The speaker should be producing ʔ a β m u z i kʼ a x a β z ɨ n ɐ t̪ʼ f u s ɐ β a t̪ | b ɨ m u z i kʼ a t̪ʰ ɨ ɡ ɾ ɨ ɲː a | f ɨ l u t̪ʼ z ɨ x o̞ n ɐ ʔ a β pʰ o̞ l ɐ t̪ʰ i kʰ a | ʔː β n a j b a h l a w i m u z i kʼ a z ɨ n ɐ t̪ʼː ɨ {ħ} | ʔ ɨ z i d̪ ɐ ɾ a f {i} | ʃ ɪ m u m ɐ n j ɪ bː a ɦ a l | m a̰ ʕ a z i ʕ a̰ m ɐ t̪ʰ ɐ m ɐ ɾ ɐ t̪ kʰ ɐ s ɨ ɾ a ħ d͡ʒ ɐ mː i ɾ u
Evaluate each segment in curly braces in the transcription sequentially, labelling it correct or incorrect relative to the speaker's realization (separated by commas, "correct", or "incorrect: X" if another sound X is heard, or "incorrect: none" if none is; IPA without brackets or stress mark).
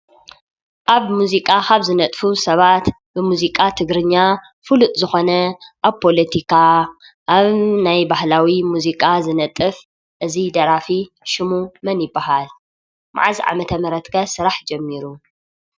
incorrect: f, correct